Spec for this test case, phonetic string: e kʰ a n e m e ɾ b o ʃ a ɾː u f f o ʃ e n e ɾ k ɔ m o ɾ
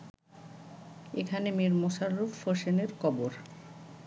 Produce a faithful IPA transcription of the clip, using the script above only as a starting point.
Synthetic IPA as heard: e kʰ a n e m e ɾ m o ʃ a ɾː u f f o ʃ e n e ɾ k ɔ b o ɾ